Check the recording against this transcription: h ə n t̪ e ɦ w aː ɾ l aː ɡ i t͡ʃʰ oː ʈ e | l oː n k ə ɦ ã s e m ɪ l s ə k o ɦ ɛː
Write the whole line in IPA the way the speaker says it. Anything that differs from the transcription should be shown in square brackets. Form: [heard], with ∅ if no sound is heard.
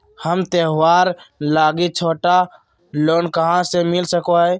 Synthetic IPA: h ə [m] t̪ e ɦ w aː ɾ l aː ɡ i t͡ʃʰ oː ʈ [a] | l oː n k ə ɦ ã s e m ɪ l s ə k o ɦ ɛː